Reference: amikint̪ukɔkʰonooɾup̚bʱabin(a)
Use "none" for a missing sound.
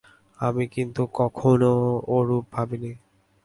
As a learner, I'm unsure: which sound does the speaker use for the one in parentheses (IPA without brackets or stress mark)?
i